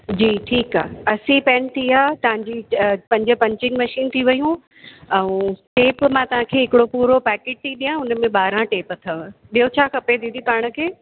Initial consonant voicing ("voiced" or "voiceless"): voiced